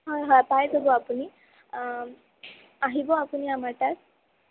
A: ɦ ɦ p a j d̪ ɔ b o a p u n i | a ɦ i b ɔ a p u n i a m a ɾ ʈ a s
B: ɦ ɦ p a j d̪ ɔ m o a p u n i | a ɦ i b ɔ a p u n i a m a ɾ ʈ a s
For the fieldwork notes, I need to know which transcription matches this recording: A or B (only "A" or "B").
A